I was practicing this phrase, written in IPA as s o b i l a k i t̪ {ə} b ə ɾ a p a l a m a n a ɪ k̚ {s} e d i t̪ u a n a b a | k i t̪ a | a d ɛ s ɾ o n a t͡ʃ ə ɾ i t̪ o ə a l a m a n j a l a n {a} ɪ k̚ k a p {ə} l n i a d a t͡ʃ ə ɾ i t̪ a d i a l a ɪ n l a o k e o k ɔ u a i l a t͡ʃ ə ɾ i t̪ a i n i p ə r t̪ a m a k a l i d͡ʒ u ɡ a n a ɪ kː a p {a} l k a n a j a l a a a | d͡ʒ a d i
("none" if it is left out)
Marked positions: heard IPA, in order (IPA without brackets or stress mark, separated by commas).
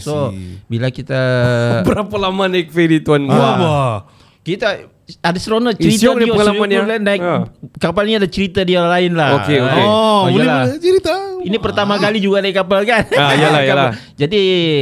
a, f, a, a, a